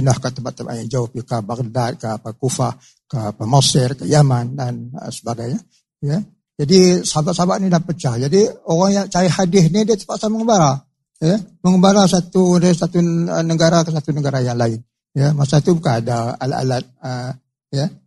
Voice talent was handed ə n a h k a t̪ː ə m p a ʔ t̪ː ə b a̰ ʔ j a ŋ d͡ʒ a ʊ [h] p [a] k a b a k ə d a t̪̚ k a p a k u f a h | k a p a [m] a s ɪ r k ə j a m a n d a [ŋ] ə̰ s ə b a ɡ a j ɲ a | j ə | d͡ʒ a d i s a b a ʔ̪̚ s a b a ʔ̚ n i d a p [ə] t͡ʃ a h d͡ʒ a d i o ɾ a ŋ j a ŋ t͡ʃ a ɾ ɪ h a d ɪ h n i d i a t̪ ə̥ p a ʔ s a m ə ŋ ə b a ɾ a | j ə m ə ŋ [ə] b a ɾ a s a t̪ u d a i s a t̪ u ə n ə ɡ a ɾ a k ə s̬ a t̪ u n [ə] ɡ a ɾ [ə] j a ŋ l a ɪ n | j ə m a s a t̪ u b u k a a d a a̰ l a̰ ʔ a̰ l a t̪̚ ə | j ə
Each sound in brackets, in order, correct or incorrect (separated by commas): correct, incorrect, correct, incorrect, correct, correct, correct, incorrect